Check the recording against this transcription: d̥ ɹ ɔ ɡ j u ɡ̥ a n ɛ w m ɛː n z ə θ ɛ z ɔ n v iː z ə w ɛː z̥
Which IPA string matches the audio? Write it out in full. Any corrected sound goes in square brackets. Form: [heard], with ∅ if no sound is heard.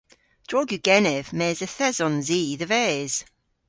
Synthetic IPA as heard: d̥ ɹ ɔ ɡ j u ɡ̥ [ɛ] n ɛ [v] m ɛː [∅] z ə θ ɛ z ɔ n [z] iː [ð] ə [v] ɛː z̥